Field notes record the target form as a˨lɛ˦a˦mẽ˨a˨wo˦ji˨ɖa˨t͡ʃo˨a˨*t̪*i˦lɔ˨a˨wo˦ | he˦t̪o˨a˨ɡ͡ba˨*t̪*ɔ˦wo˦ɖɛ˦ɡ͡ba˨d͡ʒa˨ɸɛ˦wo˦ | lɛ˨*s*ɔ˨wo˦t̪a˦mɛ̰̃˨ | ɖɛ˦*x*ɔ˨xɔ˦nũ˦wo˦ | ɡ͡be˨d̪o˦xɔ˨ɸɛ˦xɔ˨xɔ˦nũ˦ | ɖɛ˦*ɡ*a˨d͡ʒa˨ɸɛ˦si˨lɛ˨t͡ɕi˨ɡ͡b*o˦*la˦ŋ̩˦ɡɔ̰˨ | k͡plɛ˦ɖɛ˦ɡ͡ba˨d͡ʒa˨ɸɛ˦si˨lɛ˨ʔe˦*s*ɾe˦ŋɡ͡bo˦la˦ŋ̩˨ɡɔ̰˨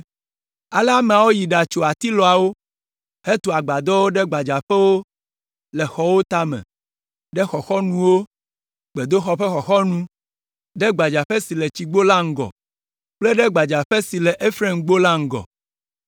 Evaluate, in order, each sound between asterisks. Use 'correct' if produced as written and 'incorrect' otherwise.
correct, incorrect: d̪, incorrect: x, correct, incorrect: ɡ͡b, correct, incorrect: f

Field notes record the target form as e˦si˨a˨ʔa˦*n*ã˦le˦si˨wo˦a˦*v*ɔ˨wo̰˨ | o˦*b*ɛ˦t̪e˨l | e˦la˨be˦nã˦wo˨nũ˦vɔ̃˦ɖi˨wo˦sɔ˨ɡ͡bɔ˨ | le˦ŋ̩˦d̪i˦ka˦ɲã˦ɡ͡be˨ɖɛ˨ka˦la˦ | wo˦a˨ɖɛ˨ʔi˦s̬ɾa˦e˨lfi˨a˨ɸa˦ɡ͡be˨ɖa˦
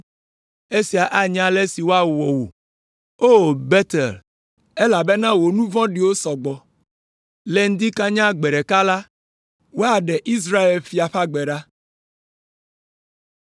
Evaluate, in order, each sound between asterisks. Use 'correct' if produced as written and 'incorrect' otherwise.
incorrect: ɲ, incorrect: w, correct

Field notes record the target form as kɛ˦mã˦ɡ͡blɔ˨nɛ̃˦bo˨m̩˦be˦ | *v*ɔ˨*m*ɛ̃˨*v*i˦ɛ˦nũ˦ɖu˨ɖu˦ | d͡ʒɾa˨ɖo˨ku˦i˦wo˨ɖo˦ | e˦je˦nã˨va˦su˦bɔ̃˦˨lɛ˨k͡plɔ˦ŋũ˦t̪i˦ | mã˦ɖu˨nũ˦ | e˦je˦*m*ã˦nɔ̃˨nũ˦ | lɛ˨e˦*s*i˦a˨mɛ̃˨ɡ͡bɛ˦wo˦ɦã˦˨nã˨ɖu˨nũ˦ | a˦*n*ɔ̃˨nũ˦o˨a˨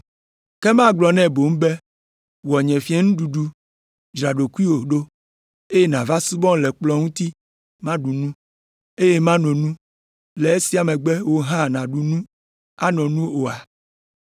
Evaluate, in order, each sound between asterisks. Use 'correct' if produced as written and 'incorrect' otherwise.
incorrect: w, incorrect: ɲ, incorrect: f, correct, correct, correct

